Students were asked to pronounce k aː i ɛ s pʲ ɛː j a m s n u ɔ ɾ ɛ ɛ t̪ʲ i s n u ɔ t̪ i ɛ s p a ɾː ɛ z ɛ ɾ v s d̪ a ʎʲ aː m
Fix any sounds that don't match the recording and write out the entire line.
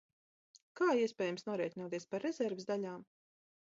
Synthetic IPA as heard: k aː i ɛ s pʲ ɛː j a m s n u ɔ ɾ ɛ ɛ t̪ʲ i n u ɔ t̪ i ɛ s p a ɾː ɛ z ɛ ɾ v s d̪ a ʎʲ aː m